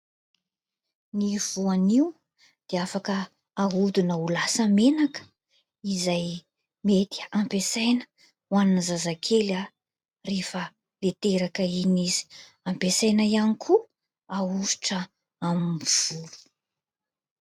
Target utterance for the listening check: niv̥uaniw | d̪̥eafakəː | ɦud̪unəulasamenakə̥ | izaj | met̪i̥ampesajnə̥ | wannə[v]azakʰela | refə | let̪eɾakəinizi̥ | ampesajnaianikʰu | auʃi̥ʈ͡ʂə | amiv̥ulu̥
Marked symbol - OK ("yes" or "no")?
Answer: no